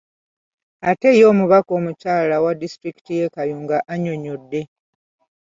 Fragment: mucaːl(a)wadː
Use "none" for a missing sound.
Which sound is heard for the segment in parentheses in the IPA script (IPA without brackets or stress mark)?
a